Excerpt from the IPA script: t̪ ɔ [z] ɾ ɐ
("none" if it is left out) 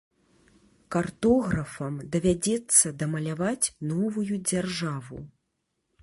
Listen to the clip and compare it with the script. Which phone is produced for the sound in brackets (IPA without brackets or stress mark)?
ɣ